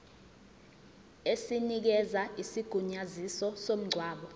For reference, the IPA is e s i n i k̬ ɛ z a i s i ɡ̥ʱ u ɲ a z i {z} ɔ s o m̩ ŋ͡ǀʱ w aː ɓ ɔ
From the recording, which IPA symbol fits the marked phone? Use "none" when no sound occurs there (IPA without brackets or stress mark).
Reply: s